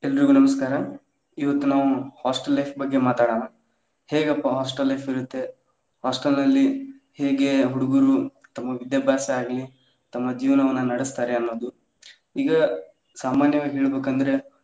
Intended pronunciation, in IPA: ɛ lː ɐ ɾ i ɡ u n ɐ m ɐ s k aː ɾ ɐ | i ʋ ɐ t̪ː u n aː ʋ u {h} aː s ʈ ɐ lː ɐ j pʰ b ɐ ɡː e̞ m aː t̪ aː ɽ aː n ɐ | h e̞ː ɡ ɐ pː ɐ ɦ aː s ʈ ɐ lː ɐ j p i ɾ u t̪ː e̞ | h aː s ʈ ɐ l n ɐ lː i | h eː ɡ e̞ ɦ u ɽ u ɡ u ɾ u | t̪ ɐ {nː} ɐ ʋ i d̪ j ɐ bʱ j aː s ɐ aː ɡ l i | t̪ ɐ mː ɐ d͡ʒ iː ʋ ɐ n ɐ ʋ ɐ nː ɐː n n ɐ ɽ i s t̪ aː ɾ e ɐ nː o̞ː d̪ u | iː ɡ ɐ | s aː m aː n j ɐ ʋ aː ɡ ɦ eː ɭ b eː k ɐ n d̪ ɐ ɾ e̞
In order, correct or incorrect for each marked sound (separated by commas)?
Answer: correct, incorrect